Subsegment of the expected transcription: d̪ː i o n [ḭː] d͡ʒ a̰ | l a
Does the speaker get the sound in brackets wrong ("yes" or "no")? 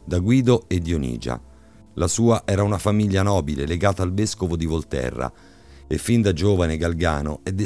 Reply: no